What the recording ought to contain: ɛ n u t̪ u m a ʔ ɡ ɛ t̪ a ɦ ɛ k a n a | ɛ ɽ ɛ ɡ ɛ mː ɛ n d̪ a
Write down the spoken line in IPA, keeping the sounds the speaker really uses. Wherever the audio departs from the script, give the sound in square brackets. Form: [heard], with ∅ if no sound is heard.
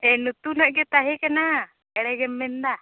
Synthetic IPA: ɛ n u t̪ u [n] a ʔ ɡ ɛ t̪ a ɦ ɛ k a n a | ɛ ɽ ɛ ɡ ɛ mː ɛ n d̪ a